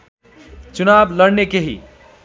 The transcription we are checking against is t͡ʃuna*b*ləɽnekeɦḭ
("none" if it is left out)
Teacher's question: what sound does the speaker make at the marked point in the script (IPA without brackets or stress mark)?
b